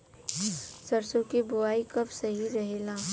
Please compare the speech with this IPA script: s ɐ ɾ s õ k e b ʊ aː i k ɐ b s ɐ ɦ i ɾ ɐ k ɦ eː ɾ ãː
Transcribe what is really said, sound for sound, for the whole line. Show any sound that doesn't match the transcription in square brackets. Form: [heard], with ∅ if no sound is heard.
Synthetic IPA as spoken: s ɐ ɾ s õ k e b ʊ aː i k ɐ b s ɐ ɦ i ɾ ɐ [∅] ɦ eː [l] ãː